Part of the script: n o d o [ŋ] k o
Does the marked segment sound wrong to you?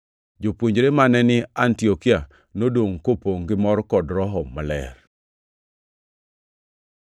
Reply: no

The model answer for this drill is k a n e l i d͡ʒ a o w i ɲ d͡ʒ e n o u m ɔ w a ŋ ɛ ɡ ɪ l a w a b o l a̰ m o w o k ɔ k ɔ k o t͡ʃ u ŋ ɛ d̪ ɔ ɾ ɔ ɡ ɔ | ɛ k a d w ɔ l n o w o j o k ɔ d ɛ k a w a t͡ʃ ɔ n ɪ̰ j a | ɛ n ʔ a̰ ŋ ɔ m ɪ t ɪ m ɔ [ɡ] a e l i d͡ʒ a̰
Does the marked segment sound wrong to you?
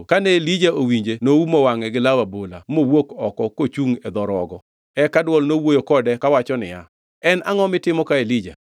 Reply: yes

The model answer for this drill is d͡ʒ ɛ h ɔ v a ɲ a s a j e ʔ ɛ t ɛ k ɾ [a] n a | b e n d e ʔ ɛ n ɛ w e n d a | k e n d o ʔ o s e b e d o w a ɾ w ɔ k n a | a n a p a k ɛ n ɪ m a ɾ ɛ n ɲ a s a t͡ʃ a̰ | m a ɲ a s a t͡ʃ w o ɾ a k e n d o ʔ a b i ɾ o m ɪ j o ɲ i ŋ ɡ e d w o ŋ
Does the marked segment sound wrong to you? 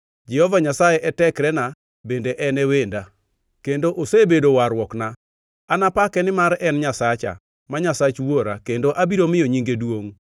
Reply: yes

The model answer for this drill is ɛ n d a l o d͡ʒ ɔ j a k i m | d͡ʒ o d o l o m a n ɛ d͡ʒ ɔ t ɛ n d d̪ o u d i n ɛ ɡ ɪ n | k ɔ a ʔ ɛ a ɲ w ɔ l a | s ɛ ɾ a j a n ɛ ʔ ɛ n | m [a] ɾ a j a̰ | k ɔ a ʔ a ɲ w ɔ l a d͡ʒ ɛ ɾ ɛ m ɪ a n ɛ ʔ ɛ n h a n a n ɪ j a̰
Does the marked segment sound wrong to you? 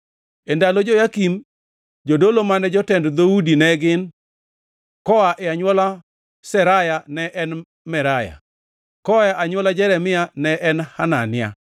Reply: yes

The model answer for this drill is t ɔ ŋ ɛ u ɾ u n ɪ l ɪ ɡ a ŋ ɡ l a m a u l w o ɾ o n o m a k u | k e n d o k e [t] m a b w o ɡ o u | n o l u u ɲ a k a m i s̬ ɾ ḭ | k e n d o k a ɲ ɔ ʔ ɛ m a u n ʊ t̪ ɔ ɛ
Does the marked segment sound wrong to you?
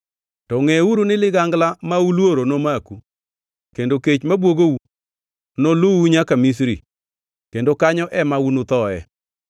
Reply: yes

